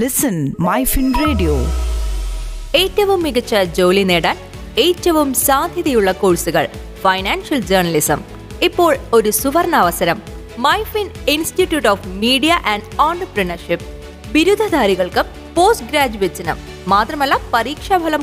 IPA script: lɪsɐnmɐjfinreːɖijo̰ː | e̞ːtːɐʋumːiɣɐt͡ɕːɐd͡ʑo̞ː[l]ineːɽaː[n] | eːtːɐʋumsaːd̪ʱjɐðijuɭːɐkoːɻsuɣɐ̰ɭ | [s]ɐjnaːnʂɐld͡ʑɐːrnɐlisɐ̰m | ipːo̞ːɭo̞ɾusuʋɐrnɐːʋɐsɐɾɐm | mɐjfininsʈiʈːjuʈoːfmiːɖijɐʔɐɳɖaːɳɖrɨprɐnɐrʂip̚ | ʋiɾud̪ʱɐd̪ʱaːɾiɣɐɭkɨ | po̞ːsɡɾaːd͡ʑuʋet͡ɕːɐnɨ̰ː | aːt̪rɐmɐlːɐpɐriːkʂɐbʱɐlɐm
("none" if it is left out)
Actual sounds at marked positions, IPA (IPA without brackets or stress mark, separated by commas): l, n, f